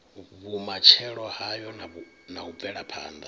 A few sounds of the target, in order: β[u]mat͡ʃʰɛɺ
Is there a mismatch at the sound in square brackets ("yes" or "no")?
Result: no